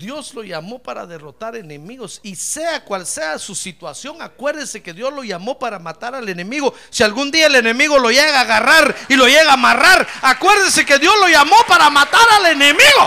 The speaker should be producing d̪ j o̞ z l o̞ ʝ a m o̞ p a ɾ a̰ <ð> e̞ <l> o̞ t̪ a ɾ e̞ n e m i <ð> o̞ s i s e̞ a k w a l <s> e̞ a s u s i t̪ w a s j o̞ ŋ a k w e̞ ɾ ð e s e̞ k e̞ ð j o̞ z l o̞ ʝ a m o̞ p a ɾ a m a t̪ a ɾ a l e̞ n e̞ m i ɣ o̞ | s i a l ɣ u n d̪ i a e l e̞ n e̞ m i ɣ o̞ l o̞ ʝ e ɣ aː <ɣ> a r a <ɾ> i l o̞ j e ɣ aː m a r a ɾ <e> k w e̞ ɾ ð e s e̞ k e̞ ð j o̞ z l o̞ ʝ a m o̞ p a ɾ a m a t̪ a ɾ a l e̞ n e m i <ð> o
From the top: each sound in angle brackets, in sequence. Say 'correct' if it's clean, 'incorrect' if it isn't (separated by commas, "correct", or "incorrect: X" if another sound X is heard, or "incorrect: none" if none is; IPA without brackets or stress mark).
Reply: correct, incorrect: r, incorrect: ɣ, correct, correct, correct, incorrect: a, incorrect: ɣ